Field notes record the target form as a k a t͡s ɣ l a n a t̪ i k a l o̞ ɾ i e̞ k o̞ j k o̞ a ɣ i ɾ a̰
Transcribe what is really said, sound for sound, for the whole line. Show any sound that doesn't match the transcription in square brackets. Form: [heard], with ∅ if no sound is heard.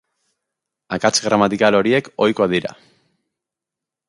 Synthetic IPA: a k a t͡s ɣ [ɾ] a [m] a t̪ i k a l o̞ ɾ i e̞ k o̞ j k o̞ a [ð] i ɾ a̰